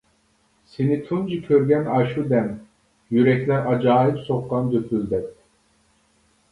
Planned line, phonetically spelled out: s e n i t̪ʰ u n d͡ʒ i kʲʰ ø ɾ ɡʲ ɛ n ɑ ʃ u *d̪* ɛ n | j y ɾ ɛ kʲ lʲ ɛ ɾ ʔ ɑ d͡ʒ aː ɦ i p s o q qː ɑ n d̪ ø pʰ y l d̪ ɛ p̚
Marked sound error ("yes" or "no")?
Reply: no